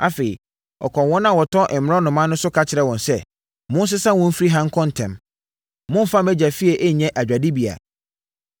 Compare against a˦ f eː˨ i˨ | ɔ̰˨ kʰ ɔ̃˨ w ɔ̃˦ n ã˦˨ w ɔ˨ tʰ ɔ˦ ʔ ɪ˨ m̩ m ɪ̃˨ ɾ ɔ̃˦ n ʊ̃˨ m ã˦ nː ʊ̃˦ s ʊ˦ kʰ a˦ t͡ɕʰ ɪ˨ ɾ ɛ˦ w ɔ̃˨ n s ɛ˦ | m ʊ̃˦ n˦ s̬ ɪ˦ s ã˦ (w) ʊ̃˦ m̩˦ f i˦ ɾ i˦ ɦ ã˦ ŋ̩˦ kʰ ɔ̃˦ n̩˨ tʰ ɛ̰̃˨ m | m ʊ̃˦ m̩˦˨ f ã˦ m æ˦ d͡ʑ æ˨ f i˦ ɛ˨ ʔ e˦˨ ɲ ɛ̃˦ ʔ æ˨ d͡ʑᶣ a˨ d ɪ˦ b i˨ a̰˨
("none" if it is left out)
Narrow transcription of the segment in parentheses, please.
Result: w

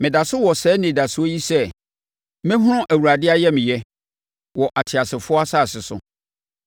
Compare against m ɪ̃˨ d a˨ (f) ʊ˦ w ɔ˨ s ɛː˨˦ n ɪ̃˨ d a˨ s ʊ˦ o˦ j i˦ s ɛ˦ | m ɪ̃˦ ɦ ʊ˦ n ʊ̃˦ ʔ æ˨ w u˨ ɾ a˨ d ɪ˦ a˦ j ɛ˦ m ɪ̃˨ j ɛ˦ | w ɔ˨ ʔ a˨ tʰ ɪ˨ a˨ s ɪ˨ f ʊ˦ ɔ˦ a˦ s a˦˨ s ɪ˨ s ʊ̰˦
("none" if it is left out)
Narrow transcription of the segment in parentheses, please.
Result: s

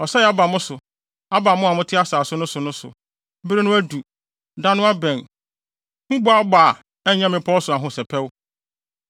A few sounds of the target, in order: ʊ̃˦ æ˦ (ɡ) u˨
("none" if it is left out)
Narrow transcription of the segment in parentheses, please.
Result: d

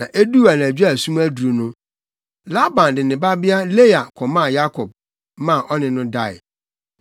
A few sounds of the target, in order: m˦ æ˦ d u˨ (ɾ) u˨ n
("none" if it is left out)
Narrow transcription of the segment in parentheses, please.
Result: ɾ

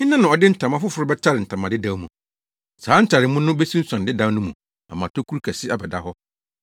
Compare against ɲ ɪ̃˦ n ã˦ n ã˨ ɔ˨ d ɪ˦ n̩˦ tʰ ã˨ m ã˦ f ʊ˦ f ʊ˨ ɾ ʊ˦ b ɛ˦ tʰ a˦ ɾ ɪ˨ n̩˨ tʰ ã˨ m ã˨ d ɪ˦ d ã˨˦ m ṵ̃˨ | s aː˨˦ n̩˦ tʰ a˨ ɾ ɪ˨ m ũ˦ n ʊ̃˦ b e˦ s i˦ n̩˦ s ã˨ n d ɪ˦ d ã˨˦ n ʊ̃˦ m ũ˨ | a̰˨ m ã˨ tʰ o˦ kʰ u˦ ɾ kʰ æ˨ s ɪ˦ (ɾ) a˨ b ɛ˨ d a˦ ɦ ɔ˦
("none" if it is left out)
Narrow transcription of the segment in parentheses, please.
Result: none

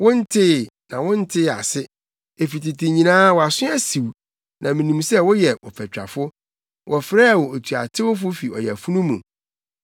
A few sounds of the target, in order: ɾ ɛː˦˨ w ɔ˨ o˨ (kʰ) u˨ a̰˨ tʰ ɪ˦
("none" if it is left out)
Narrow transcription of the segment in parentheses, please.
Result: tʰ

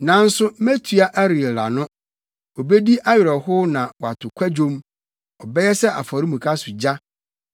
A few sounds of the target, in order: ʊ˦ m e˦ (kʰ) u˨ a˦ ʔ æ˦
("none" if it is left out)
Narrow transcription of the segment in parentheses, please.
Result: tʰ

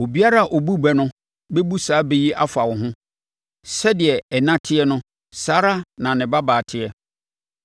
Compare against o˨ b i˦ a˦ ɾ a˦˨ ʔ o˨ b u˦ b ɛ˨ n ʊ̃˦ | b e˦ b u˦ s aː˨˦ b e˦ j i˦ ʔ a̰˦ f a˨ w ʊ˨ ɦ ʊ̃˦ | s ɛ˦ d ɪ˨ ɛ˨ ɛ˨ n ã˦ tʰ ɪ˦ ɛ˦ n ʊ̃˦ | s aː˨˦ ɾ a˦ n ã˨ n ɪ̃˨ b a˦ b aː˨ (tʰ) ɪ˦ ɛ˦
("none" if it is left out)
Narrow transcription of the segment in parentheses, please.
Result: tʰ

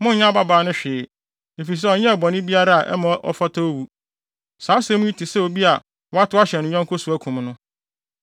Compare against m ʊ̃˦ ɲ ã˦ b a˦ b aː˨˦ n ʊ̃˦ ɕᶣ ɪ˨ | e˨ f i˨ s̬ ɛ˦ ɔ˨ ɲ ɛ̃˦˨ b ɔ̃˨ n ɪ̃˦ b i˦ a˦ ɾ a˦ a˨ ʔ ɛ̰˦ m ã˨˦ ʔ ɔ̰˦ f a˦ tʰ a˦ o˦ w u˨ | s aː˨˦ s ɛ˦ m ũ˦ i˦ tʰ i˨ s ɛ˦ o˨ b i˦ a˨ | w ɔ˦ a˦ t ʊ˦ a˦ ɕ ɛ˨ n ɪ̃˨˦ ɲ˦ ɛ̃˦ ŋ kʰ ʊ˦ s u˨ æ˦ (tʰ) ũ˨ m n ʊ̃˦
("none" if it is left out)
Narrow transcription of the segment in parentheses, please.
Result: kʰ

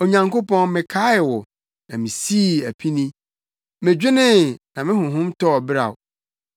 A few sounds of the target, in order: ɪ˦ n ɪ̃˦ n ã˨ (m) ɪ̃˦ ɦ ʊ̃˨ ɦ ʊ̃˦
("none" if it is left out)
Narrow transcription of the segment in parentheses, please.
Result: m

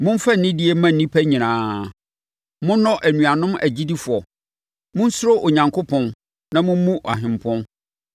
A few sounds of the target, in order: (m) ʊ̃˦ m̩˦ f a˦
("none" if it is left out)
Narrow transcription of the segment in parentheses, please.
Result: m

